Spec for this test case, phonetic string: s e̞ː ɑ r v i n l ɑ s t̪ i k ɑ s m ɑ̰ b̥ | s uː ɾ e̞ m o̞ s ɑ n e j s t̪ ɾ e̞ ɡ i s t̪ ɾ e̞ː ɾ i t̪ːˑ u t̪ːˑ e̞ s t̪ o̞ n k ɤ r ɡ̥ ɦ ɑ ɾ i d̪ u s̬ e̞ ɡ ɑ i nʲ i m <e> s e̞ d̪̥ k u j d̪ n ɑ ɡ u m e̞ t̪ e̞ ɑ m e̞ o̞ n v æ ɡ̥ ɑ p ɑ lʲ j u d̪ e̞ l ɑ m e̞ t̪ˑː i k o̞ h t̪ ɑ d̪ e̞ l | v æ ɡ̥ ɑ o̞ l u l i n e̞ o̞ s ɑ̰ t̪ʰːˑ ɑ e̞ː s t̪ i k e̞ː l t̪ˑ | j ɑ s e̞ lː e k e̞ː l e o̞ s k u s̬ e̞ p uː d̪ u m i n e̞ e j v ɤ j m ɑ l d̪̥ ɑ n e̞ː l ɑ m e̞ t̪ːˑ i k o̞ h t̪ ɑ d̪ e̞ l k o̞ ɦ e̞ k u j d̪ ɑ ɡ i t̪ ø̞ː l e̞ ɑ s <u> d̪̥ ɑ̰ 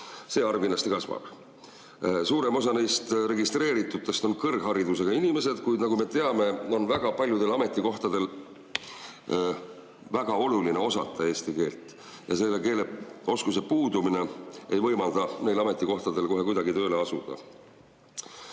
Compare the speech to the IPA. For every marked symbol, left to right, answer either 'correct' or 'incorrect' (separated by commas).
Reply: correct, correct